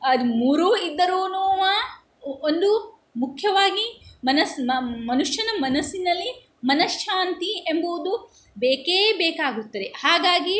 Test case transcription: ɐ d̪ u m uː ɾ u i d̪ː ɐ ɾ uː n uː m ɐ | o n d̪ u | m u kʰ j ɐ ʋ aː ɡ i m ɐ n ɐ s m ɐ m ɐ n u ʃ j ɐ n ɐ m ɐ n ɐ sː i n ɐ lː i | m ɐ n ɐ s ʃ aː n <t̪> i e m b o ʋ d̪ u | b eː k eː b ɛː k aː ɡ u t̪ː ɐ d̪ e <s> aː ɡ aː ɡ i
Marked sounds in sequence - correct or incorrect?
correct, incorrect: h

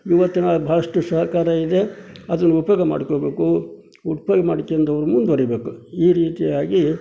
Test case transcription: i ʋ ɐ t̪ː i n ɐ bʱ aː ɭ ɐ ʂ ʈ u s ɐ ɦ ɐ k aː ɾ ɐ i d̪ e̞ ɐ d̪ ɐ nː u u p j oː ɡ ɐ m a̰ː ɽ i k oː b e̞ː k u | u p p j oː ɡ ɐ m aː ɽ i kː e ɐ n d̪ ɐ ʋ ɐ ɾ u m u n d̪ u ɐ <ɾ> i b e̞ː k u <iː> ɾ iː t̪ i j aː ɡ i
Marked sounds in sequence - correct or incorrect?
correct, correct

